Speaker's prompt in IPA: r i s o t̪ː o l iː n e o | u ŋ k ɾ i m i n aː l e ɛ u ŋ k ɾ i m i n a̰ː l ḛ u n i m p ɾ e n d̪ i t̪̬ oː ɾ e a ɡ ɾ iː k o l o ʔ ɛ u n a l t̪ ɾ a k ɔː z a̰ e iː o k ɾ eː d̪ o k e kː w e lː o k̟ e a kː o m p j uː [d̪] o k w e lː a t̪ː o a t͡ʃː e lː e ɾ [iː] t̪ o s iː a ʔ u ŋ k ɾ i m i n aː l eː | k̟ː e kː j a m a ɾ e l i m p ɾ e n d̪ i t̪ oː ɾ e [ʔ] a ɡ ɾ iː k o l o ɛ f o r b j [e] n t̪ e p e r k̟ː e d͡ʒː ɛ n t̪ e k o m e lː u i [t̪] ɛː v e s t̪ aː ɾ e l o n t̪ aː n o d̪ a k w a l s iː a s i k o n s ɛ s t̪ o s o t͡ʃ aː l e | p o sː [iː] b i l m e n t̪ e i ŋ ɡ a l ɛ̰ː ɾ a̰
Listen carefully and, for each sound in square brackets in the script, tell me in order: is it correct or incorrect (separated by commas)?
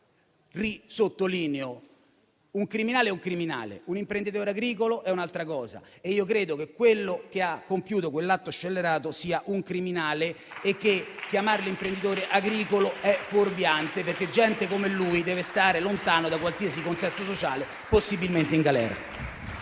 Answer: incorrect, incorrect, correct, incorrect, incorrect, incorrect